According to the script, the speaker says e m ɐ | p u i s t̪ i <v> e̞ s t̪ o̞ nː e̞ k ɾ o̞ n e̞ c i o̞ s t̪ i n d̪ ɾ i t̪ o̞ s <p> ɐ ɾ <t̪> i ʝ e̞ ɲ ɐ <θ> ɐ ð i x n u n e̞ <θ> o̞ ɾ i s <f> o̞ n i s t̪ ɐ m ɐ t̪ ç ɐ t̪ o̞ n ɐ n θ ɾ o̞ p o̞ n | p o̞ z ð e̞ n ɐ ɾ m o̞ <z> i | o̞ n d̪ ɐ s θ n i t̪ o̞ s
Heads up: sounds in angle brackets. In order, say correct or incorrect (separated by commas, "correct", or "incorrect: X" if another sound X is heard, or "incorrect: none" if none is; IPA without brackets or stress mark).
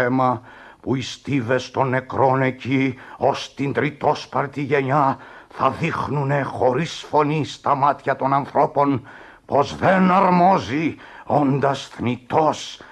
correct, correct, correct, correct, incorrect: x, correct, correct